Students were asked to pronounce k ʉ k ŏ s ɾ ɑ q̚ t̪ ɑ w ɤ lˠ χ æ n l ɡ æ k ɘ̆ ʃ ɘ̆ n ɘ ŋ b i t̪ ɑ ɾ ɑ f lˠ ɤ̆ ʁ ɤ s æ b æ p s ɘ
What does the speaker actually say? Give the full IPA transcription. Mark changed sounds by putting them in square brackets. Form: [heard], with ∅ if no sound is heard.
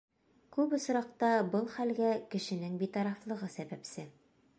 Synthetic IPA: k ʉ [p] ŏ s ɾ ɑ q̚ t̪ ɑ [b] ɤ lˠ χ æ [∅] l ɡ æ k ɘ̆ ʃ ɘ̆ n ɘ ŋ b i t̪ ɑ ɾ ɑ f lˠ ɤ̆ ʁ ɤ s æ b æ p s ɘ